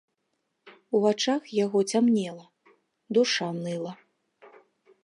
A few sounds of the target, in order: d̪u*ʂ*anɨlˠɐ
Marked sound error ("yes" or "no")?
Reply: no